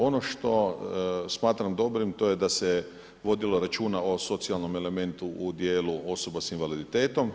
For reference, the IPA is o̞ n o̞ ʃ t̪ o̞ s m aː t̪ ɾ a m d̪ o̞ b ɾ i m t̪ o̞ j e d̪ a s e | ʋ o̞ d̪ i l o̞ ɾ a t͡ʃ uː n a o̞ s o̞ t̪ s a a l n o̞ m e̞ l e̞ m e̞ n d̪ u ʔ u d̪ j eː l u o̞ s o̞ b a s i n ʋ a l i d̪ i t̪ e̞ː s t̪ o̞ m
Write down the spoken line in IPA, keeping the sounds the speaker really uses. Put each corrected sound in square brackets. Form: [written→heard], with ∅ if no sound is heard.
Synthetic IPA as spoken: o̞ n o̞ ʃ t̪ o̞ s m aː t̪ ɾ a m d̪ o̞ b ɾ i m t̪ o̞ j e d̪ a s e | ʋ o̞ d̪ i l o̞ ɾ a t͡ʃ uː n a o̞ s o̞ t̪ s [a→i] a l n o̞ m e̞ l e̞ m e̞ n [d̪→t̪] u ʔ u d̪ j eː l u o̞ s o̞ b a s i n ʋ a l i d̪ i t̪ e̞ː [s→∅] t̪ o̞ m